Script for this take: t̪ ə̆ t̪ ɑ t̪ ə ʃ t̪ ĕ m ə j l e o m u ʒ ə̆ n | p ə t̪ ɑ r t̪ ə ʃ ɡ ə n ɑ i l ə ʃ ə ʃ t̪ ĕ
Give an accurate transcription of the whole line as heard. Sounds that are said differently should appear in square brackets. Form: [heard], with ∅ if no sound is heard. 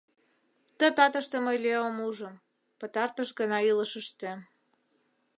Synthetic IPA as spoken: t̪ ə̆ t̪ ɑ t̪ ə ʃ t̪ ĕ m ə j l e o m u ʒ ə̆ [m] | p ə t̪ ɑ r t̪ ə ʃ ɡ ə n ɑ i l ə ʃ ə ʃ t̪ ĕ